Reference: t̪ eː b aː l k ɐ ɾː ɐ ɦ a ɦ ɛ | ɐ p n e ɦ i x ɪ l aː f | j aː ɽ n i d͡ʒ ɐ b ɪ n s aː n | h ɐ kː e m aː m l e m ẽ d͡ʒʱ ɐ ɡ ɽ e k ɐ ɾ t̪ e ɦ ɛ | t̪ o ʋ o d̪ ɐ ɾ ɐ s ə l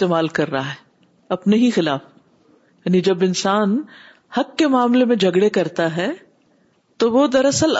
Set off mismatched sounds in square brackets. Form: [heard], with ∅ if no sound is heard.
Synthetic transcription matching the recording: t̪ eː [m] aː l k ɐ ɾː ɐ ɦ a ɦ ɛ | ɐ p n e ɦ i x ɪ l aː f | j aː [∅] n i d͡ʒ ɐ b ɪ n s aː n | h ɐ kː e m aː m l e m ẽ d͡ʒʱ ɐ ɡ ɽ e k ɐ ɾ t̪ [a] ɦ ɛ | t̪ o ʋ o d̪ ɐ ɾ ɐ s ə l